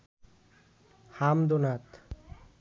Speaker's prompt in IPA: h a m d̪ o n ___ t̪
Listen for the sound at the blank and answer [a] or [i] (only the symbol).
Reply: a